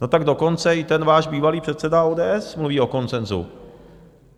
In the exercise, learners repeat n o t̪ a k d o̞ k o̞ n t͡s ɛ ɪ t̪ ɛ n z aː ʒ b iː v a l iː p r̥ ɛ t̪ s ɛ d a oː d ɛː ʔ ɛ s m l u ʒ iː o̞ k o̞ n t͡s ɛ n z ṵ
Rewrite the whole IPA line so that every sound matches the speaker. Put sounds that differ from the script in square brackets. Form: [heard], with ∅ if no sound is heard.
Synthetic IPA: n o t̪ a [ɡ] d o̞ k o̞ n t͡s ɛ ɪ t̪ ɛ n [v] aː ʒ b iː v a l iː p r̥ ɛ t̪ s ɛ d a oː d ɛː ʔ ɛ s m l u [v] iː o̞ k o̞ n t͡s ɛ n z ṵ